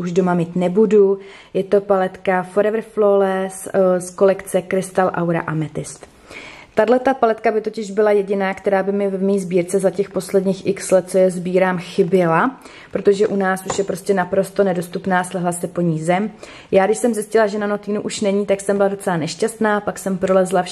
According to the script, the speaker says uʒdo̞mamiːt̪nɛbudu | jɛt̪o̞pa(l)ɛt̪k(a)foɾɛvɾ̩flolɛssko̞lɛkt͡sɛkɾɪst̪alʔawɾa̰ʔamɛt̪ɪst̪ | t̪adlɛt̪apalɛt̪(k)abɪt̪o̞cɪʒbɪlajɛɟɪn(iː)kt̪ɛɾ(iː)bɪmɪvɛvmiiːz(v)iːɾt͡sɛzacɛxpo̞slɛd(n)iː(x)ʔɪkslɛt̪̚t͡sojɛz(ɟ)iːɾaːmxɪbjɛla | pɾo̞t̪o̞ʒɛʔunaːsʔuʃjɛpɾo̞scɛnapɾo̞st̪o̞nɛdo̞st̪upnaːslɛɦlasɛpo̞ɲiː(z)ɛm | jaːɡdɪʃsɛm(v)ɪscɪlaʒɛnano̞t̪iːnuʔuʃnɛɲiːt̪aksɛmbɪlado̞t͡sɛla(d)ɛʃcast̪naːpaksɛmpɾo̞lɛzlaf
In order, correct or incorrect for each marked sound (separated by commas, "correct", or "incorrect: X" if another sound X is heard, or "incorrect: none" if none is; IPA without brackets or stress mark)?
correct, correct, correct, incorrect: aː, incorrect: aː, incorrect: b, incorrect: ɲ, correct, incorrect: b, correct, incorrect: z, incorrect: n